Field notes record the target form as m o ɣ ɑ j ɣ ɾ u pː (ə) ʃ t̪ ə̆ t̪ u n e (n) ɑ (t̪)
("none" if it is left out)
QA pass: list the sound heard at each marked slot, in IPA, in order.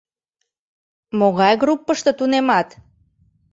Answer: ə, m, t̪

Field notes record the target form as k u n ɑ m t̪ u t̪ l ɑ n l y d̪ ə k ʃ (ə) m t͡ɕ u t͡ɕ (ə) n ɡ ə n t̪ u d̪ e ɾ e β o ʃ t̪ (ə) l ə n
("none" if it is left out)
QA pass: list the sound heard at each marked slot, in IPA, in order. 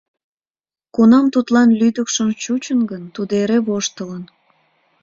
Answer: ə, ə, ə

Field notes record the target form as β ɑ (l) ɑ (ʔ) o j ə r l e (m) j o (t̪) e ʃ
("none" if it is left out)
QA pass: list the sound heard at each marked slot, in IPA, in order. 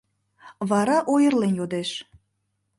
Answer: ɾ, ʔ, n, d̪

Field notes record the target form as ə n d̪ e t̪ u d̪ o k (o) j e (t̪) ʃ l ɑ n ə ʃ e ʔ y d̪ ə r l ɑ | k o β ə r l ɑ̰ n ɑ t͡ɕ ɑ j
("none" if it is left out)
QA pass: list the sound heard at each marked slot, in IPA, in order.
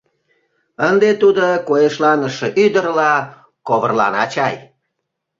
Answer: o, none

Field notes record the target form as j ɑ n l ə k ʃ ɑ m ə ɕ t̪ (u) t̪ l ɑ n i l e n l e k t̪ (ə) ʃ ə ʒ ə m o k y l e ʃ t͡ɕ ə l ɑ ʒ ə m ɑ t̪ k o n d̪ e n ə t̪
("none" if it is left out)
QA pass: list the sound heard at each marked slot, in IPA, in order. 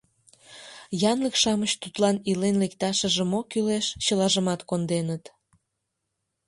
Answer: u, ɑ

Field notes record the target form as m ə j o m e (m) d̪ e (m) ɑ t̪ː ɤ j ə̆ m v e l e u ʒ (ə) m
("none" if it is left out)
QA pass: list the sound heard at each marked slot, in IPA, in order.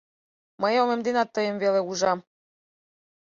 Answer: m, n, ɑ

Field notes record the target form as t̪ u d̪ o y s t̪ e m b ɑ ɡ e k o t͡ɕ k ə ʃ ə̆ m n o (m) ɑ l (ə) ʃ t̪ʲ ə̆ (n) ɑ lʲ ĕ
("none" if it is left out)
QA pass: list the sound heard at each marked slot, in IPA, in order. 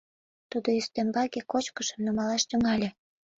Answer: m, ɑ, ŋ

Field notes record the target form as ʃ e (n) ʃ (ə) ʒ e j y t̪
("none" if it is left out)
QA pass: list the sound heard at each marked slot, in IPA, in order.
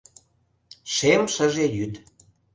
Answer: m, ə

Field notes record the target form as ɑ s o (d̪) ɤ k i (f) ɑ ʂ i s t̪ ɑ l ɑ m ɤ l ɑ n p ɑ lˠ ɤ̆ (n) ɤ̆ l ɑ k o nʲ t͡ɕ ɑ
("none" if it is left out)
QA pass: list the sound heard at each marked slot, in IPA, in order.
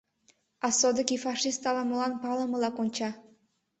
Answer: d̪, f, m

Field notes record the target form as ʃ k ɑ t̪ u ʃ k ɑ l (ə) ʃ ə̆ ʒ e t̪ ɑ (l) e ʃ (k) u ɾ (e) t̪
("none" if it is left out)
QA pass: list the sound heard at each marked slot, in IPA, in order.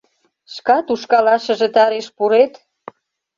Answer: ɑ, ɾ, p, e

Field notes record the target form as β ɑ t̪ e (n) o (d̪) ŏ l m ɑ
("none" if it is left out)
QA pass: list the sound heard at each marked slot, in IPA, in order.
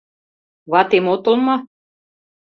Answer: m, t̪

